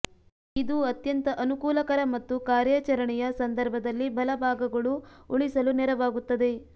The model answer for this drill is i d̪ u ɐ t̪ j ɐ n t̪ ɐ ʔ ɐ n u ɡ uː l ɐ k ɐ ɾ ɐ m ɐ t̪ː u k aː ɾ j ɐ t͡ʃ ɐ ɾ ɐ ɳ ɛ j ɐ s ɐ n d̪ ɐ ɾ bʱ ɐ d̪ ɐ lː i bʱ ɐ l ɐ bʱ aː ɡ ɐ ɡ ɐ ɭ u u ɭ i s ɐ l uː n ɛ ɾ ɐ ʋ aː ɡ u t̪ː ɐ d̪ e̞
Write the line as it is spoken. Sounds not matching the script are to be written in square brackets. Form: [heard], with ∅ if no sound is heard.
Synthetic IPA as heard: i d̪ u ɐ t̪ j ɐ n t̪ ɐ ʔ ɐ n u [k] uː l ɐ k ɐ ɾ ɐ m ɐ t̪ː u k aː ɾ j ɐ t͡ʃ ɐ ɾ ɐ ɳ ɛ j ɐ s ɐ n d̪ ɐ ɾ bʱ ɐ d̪ ɐ lː i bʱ ɐ l ɐ bʱ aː ɡ ɐ ɡ ɐ ɭ u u ɭ i s ɐ l [u] n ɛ ɾ ɐ ʋ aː ɡ u t̪ː ɐ d̪ e̞

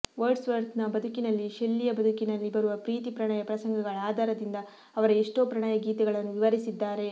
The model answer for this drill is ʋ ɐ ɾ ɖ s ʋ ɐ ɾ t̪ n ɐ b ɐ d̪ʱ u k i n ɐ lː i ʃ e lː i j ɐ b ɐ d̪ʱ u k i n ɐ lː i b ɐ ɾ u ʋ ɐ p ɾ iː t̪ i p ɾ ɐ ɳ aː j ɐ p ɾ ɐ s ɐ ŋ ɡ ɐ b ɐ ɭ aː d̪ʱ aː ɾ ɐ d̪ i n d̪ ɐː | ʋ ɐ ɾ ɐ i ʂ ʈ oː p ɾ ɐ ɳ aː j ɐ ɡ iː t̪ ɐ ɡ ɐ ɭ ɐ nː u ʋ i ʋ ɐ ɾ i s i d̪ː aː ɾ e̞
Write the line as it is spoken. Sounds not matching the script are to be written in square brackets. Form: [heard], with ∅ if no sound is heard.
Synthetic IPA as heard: ʋ ɐ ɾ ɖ s ʋ ɐ ɾ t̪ n ɐ b ɐ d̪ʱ u k i n ɐ lː i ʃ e lː i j ɐ b ɐ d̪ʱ u k i n ɐ lː i b ɐ ɾ u ʋ ɐ p ɾ iː t̪ i p ɾ ɐ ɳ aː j ɐ p ɾ ɐ s ɐ ŋ ɡ ɐ [ɡ] ɐ ɭ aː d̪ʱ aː ɾ ɐ d̪ i n d̪ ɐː | ʋ ɐ ɾ ɐ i ʂ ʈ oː p ɾ ɐ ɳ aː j ɐ ɡ iː t̪ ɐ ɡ ɐ ɭ ɐ nː u ʋ i ʋ ɐ ɾ i s i d̪ː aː ɾ e̞

